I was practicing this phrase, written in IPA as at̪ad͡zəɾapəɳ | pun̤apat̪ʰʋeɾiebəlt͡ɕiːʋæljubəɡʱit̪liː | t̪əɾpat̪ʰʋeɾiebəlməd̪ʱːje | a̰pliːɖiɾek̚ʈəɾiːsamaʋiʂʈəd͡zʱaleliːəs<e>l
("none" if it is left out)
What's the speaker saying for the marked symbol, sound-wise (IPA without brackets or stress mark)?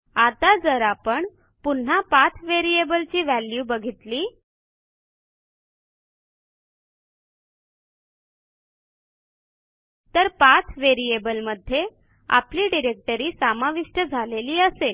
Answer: e